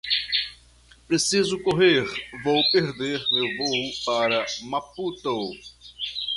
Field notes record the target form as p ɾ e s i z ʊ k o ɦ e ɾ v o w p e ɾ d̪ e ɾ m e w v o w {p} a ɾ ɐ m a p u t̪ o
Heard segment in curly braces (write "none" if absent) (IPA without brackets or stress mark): p